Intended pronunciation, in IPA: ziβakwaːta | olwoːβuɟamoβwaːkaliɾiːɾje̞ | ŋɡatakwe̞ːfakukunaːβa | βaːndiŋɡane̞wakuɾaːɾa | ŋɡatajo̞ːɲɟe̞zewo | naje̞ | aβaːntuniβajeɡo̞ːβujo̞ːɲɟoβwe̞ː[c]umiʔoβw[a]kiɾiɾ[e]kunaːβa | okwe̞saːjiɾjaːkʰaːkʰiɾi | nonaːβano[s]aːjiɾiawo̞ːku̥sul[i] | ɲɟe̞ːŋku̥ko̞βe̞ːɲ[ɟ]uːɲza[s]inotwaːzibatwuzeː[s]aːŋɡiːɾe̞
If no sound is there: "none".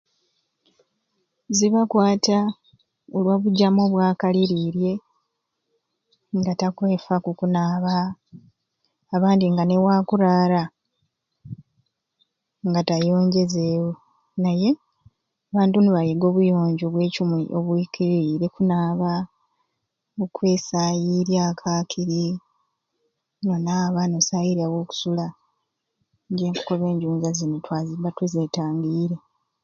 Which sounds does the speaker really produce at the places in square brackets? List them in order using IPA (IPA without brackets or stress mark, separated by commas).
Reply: c, i, e, s, a, ɟ, z, t